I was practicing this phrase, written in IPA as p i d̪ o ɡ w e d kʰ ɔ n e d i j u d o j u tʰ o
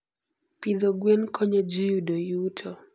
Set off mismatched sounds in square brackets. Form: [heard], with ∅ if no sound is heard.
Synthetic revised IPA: p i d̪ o ɡ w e [n] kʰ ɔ [ɲ] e [d͡ʒ] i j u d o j u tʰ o